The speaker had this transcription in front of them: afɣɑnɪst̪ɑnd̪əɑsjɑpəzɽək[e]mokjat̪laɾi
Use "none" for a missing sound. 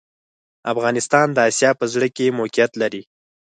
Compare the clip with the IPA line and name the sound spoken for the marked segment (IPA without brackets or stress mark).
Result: e